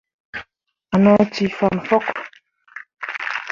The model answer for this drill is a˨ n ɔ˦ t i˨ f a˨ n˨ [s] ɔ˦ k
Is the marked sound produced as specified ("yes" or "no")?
no